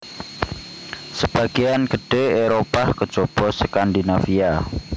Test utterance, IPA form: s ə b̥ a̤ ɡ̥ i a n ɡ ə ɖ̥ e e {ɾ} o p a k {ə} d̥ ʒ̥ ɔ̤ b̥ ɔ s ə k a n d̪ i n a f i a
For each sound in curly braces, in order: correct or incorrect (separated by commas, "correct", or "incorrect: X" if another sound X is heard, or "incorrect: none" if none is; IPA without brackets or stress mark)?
correct, correct